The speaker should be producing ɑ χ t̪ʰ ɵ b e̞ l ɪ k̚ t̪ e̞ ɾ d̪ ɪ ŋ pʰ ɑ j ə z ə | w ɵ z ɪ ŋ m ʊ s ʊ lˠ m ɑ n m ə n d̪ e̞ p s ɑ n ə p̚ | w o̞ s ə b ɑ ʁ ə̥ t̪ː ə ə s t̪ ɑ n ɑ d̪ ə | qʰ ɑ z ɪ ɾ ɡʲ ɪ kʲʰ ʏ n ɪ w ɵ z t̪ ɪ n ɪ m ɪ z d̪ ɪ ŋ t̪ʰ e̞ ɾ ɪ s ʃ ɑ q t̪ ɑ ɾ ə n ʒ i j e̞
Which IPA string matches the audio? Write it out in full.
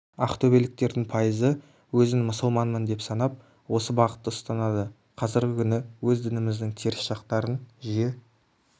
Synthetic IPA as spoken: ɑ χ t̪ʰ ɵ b e̞ l ɪ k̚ t̪ e̞ ɾ d̪ ɪ ŋ pʰ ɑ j ə z ə | w ɵ z ɪ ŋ m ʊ s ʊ lˠ m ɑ n m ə n d̪ e̞ p s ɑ n ɑ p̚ | w o̞ s ə b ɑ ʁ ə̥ t̪ː ə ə s t̪ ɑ n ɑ d̪ ə | qʰ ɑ z ɪ ɾ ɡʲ ɪ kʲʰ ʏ n ɪ w ɵ z d̪ ɪ n ɪ m ɪ z d̪ ɪ ŋ t̪ʰ e̞ ɾ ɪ s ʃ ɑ q t̪ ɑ ɾ ə n ʒ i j e̞